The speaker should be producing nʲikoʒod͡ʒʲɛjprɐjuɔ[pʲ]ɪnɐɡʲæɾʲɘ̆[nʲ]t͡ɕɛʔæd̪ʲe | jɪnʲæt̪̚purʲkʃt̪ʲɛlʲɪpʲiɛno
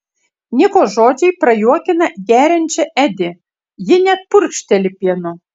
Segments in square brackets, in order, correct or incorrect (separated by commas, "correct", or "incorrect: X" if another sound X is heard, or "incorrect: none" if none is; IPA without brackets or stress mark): incorrect: kʲ, correct